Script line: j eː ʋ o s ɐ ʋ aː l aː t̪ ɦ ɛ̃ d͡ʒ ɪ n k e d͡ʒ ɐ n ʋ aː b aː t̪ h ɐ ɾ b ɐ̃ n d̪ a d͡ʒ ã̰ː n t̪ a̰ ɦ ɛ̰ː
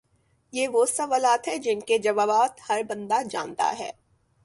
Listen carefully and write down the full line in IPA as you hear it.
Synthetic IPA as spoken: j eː ʋ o s ɐ ʋ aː l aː t̪ ɦ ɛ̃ d͡ʒ ɪ n k e d͡ʒ ɐ ʋ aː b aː t̪ h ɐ ɾ b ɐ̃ n d̪ a d͡ʒ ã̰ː n t̪ a̰ ɦ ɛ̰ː